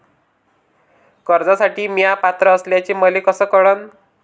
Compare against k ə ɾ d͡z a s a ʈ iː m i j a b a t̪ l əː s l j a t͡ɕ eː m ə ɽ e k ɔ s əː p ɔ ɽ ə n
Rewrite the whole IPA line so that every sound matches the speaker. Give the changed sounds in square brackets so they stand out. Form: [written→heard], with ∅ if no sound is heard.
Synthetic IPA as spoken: k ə ɾ d͡z a s a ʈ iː m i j a [b→p] a t̪ [l→ɾ] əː s l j a t͡ɕ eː m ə [ɽ→l] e k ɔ s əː [p→k] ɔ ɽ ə n